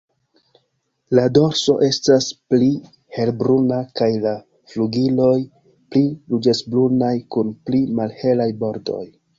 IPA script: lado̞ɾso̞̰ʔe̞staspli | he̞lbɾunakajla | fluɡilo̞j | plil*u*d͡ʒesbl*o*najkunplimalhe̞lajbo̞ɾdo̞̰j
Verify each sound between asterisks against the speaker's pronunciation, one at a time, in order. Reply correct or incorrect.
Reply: correct, incorrect: u

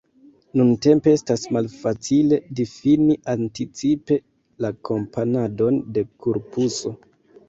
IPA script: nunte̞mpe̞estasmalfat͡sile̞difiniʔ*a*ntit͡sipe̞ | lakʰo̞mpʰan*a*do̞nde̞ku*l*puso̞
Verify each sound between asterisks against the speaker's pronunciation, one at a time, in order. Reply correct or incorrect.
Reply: correct, correct, incorrect: ɾ

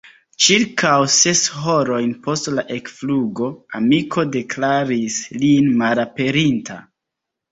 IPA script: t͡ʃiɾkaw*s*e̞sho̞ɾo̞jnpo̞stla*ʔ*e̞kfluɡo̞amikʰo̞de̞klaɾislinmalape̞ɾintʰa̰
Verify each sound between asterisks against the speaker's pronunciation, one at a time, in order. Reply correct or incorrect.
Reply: correct, correct

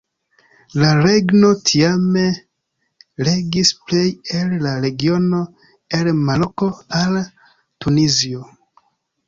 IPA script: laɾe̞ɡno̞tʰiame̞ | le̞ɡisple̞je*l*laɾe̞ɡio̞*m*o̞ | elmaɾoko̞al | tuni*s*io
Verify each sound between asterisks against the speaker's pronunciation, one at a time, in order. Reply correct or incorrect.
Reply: correct, incorrect: n, incorrect: z

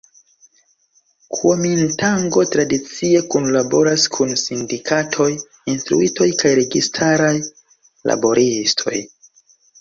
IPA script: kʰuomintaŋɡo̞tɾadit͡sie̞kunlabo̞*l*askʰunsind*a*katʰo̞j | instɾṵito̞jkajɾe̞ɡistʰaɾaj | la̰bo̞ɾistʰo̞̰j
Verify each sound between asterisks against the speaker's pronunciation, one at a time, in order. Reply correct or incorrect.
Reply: incorrect: ɾ, incorrect: i

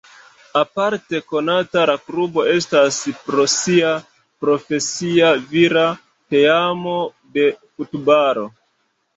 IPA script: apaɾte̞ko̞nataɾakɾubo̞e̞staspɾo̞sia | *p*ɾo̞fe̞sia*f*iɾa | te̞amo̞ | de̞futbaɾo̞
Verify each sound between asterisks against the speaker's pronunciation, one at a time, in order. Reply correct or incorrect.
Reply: correct, incorrect: v

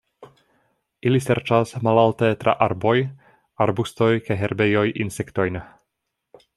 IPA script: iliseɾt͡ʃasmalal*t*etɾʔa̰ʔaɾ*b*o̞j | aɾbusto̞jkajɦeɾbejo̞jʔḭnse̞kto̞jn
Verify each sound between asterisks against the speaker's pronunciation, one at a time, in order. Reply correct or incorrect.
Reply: correct, correct

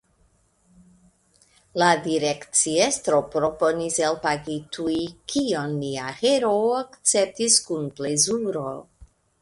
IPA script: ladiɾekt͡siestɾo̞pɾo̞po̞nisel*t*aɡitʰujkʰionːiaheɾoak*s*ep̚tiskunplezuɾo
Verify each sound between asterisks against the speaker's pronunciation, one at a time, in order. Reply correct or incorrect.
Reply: incorrect: p, incorrect: t͡s

